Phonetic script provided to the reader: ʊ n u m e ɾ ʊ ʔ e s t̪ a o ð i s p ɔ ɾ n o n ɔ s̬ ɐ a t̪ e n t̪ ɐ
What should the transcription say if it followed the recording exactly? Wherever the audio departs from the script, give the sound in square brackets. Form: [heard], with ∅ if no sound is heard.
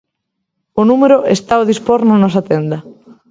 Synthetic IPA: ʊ n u m e ɾ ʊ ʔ e s t̪ a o ð i s p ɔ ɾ n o n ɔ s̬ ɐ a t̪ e n [d̪] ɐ